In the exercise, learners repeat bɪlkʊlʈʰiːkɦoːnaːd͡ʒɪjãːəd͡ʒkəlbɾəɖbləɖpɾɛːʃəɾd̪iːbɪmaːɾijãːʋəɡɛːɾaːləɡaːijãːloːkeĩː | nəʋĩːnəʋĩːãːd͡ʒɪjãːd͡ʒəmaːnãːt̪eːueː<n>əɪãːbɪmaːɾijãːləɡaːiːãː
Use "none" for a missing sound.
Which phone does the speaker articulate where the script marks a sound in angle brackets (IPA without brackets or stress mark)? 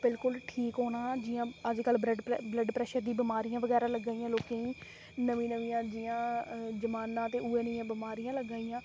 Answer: n